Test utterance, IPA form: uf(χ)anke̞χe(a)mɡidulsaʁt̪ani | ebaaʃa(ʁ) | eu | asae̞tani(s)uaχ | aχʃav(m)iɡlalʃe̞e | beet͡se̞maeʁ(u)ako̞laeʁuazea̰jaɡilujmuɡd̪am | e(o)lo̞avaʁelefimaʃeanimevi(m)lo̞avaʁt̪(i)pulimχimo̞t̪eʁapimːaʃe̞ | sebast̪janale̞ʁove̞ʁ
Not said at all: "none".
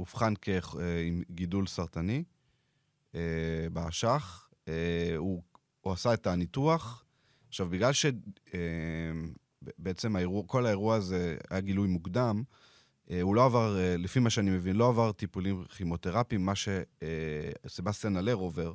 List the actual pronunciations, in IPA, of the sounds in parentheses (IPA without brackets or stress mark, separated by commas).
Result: χ, i, χ, t, b, u, u, n, i